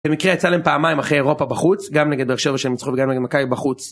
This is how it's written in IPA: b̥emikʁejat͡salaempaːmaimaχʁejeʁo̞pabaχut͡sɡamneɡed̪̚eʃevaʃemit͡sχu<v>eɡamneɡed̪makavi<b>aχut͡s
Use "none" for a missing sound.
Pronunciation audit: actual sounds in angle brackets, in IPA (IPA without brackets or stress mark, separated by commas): v, b